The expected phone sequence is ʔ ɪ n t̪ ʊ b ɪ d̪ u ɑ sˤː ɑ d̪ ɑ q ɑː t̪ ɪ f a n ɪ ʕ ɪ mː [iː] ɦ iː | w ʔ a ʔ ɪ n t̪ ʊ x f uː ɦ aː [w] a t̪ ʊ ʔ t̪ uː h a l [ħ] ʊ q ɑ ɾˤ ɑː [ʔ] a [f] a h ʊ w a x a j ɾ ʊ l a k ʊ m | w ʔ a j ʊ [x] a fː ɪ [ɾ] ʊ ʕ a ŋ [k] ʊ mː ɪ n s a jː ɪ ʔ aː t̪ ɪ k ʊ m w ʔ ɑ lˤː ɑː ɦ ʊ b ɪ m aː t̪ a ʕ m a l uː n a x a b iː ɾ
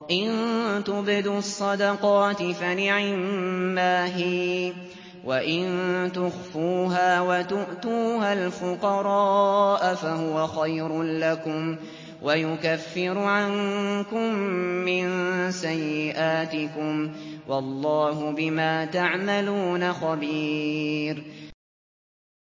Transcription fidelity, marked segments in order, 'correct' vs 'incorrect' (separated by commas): incorrect, correct, incorrect, correct, correct, incorrect, correct, correct